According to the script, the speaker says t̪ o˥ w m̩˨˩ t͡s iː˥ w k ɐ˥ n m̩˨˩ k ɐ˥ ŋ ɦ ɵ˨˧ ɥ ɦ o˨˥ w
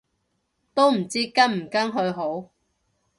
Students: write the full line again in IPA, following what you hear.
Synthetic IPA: t̪ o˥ w m̩˨˩ t͡s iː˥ k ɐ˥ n m̩˨˩ k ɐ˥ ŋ ɦ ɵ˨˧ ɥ ɦ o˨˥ w